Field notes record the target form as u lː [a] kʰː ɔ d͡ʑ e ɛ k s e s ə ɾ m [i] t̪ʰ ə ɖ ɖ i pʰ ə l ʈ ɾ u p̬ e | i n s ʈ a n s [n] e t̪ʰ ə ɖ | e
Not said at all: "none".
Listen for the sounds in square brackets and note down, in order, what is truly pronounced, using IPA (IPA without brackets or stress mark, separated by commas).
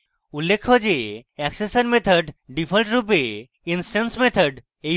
e, e, m